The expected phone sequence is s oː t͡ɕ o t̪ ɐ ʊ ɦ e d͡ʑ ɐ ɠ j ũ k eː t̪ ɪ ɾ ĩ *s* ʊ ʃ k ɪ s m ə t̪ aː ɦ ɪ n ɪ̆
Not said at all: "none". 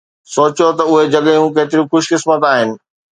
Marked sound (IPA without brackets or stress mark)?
x